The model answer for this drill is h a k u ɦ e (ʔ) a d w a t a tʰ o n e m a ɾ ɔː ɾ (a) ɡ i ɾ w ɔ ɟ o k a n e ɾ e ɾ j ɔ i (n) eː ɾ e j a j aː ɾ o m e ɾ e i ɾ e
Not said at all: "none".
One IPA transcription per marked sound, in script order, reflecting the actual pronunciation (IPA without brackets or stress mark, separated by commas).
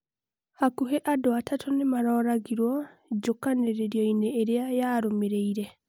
ʔ, a, n